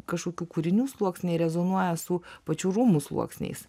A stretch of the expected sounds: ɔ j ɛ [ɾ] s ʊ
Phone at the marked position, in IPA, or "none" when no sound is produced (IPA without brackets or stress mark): none